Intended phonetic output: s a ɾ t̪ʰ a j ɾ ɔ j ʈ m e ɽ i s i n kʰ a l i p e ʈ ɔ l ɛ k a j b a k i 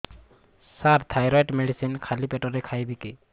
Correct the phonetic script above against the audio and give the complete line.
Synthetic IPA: s a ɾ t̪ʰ a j ɾ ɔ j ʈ m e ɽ i s i n kʰ a l i p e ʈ ɔ ɾ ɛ kʰ a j b i k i

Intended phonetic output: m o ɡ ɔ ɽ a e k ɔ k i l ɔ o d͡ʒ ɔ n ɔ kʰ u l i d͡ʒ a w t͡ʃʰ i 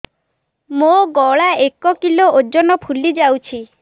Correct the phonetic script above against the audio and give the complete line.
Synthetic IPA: m o ɡ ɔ ɭ a e k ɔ k i l o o d͡ʒ ɔ n ɔ pʰ u l i d͡ʒ a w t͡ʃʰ i

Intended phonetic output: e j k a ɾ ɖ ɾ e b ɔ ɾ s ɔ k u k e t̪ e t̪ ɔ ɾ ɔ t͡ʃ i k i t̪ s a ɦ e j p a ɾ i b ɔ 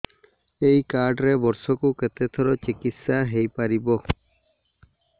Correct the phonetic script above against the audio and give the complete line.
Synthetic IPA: e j k a ɾ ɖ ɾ e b ɔ ɾ s ɔ k u k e t̪ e t̪ʰ ɔ ɾ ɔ t͡ʃ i k i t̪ s a ɦ e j p a ɾ i b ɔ

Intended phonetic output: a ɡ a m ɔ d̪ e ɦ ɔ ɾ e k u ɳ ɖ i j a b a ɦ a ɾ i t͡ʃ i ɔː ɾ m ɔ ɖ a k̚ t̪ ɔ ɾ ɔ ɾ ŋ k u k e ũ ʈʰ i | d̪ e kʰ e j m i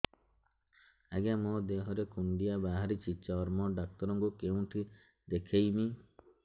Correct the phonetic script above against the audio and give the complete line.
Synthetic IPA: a ɡ a m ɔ d̪ e ɦ ɔ ɾ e k u ɳ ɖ i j a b a ɦ a ɾ i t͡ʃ i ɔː ɾ m ɔ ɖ a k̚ t̪ ɔ ɾ ɔ ŋ k u k e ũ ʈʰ i | d̪ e kʰ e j m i

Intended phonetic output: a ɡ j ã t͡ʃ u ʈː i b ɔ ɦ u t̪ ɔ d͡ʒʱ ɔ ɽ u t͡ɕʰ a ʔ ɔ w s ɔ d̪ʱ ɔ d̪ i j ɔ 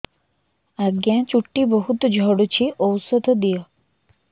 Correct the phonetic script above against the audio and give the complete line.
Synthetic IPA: a ɡ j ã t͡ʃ u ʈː i b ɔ ɦ u t̪ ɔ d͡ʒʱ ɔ ɽ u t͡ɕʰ i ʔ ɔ w s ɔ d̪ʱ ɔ d̪ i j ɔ

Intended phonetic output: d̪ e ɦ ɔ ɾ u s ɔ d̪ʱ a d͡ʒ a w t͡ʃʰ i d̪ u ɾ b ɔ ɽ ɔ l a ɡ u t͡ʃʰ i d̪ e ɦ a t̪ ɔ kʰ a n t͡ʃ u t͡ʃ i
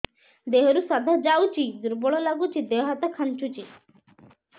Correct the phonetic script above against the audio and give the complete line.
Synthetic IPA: d̪ e ɦ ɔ ɾ u s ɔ d̪ʱ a d͡ʒ a w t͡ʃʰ i d̪ u ɾ b ɔ ɭ ɔ l a ɡ u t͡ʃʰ i d̪ e ɦ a t̪ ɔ kʰ a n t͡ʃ u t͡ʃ i

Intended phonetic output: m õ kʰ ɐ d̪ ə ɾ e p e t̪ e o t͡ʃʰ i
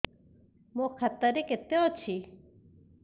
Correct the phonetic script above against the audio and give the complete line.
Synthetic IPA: m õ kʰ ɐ t̪ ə ɾ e k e t̪ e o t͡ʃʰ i

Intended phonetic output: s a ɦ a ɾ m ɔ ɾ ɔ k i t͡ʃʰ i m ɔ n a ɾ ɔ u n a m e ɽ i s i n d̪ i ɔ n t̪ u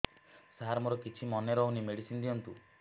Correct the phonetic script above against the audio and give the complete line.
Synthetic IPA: s a ɦ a ɾ m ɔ ɾ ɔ k i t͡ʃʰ i m ɔ n e ɾ ɔ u n i m e ɽ i s i n d̪ i ɔ n t̪ u

